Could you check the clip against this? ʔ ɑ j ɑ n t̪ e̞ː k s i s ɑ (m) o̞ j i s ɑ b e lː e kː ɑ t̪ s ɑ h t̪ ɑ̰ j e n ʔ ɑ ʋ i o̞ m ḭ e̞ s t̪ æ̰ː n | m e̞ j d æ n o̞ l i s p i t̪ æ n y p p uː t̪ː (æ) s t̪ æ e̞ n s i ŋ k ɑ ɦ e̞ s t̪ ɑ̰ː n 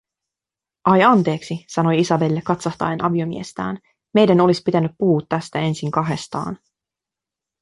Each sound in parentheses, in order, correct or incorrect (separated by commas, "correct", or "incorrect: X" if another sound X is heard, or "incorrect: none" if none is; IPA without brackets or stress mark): incorrect: n, correct